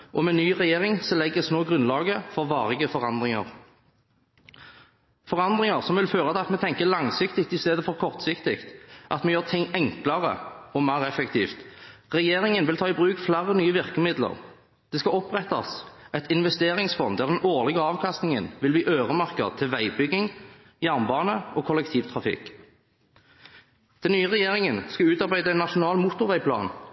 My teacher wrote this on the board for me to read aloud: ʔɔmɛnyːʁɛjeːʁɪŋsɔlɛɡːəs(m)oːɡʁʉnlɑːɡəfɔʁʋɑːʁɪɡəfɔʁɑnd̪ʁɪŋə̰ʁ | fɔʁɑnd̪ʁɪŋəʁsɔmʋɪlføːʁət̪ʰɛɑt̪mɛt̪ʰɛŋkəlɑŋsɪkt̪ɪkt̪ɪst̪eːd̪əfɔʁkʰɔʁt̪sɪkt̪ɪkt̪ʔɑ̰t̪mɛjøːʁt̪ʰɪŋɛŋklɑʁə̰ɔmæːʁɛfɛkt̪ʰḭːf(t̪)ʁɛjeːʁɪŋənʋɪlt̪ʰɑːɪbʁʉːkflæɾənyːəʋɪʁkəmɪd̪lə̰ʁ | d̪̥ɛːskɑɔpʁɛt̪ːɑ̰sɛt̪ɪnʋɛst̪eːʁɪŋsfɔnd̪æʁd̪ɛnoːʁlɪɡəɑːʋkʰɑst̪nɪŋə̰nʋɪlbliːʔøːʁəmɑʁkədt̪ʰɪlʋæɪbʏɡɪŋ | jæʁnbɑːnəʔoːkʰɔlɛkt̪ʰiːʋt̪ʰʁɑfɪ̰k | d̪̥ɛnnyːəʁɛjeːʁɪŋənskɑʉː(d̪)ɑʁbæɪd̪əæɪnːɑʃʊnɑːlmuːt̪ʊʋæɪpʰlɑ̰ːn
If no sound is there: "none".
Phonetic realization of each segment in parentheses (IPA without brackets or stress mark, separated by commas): n, t̪, t̪